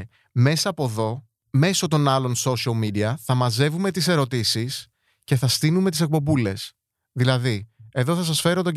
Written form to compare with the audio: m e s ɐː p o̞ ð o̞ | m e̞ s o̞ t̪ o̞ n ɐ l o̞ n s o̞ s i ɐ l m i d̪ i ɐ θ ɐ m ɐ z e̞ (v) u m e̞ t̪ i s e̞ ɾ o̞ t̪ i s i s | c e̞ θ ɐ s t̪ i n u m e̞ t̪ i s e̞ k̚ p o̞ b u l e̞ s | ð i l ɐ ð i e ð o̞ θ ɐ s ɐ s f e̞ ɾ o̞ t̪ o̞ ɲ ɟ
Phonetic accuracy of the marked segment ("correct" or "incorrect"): correct